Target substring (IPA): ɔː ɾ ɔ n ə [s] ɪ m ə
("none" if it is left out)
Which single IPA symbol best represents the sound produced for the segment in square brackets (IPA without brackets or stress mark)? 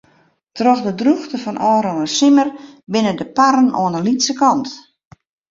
s